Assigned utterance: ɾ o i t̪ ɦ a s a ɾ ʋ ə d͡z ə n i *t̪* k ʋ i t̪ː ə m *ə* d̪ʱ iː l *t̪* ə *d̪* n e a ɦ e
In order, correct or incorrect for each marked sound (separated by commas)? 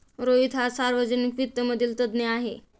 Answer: incorrect, correct, correct, correct